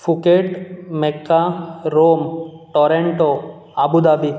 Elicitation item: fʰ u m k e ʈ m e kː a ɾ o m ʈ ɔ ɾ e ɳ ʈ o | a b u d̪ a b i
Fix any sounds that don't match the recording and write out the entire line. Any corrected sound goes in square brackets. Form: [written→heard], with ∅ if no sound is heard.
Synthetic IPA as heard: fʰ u [m→∅] k e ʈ m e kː a ɾ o m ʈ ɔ ɾ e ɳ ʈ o | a b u d̪ a b i